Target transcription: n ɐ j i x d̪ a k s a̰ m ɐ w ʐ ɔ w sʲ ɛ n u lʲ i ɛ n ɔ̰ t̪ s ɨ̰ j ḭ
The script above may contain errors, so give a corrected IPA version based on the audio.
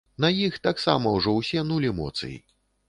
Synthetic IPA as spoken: n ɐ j i x t̪ a k s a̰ m ɐ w ʐ ɔ w sʲ ɛ n u lʲ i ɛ m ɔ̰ t̪ s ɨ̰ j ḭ